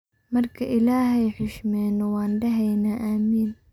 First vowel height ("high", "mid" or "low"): low